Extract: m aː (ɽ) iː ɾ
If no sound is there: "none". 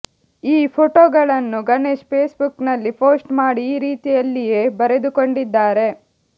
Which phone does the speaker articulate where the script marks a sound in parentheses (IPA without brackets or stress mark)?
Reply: ɽ